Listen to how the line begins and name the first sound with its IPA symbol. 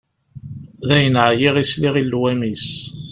ð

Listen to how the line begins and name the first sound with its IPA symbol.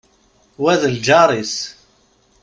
w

